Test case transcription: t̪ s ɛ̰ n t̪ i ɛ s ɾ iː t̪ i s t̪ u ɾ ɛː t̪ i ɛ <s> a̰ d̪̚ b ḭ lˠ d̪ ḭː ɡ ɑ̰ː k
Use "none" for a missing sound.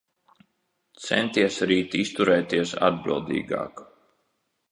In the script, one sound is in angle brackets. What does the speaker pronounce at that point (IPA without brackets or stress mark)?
s